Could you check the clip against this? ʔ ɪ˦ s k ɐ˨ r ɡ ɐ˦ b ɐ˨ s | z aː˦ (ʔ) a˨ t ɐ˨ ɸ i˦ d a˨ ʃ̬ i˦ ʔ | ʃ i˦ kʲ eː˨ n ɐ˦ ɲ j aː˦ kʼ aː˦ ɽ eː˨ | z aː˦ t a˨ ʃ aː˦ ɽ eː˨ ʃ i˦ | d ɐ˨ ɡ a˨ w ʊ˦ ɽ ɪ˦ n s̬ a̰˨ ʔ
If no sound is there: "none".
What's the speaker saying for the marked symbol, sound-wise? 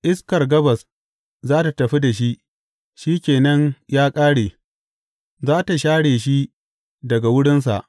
t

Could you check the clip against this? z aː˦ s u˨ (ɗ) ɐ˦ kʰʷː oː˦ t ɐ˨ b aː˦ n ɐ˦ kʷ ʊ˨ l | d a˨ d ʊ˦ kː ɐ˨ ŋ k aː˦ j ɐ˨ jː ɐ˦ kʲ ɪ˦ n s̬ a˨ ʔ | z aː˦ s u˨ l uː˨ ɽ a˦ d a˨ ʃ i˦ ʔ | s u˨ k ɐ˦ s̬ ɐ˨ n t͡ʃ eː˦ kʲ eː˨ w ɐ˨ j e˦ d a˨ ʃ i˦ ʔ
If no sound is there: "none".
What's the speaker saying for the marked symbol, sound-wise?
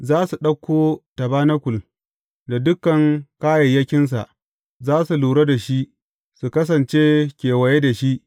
ɗ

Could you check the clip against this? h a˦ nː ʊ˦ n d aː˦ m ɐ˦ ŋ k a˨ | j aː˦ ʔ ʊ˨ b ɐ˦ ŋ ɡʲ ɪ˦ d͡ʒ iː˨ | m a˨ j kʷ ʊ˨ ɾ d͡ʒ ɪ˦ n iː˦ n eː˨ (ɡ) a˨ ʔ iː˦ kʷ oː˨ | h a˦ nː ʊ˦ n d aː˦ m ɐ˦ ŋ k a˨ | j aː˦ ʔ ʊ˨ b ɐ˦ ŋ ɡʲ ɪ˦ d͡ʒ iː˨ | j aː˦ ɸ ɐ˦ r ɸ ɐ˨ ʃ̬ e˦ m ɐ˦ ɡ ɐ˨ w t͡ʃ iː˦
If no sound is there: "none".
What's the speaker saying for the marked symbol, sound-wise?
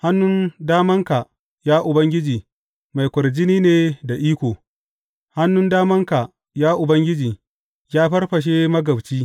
d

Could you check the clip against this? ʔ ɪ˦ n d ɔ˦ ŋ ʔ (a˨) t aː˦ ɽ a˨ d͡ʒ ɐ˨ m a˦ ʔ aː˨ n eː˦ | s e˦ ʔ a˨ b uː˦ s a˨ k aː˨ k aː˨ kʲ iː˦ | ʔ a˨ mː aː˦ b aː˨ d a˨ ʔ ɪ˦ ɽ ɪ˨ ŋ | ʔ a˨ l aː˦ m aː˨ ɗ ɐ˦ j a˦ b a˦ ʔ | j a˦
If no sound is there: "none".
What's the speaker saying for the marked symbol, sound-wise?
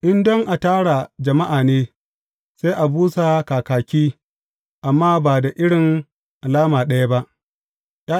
a˨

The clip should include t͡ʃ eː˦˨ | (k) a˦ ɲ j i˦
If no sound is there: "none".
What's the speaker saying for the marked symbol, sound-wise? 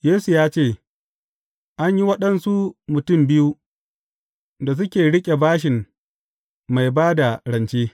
ʔ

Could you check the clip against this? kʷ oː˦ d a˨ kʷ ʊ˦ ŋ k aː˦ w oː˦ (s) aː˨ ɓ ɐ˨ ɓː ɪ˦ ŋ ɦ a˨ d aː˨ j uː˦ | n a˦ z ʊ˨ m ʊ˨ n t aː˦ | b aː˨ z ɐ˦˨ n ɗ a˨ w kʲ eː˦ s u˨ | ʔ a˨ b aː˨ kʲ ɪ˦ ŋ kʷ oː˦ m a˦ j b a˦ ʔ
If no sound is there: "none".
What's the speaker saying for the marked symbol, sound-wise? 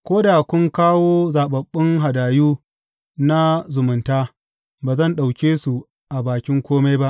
z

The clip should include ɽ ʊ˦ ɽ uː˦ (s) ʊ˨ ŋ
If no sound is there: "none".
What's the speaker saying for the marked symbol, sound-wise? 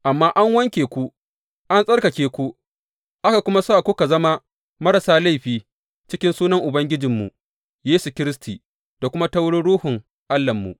h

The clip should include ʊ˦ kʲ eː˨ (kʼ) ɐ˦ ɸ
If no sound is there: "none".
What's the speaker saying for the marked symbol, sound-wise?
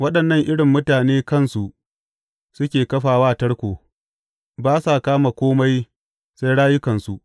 k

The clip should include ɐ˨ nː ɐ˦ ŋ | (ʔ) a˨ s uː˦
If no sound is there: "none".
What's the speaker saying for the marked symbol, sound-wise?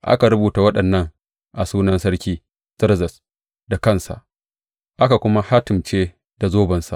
ʔ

